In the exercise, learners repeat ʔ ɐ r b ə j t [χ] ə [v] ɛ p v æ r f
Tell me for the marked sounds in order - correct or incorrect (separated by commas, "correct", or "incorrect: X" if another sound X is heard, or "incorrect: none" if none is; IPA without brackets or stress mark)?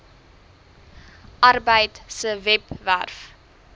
incorrect: s, correct